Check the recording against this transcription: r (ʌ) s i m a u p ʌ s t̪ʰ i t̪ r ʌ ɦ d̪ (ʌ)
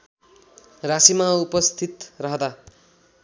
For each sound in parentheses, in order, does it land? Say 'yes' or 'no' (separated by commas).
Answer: no, no